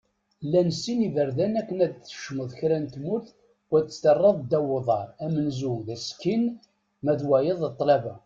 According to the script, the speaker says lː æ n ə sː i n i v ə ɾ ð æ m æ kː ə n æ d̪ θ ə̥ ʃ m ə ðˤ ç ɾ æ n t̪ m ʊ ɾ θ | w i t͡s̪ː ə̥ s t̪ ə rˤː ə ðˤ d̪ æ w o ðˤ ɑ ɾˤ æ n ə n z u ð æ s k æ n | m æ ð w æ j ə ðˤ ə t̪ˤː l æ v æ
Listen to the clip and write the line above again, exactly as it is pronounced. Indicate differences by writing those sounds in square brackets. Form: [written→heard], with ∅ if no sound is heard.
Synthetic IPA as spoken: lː æ n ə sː i n i v ə ɾ ð æ [m→n] æ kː ə n æ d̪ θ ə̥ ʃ m ə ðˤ ç ɾ æ n t̪ m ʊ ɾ θ | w [i→æ] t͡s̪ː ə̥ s t̪ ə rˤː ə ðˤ d̪ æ w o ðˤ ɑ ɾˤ æ [n→m] ə n z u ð æ s k [æ→i] n | m æ ð w æ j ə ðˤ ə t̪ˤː l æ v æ